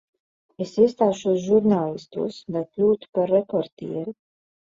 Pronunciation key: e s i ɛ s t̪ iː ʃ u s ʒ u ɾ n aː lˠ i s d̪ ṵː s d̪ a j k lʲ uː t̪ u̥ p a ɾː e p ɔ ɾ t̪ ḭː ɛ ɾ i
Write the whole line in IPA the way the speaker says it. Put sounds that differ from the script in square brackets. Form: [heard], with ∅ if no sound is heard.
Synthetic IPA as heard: e s i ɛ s t̪ [aː] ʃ u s ʒ u ɾ n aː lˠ i s [t̪] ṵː s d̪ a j k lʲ uː t̪ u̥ p a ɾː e p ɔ ɾ t̪ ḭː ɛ ɾ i